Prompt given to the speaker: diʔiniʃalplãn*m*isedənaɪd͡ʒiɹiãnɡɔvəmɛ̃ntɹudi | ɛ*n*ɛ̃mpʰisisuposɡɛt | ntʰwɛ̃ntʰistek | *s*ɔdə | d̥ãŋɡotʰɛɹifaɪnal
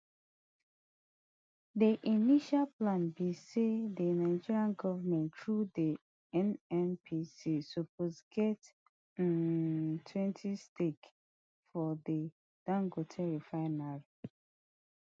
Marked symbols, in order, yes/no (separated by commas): no, yes, no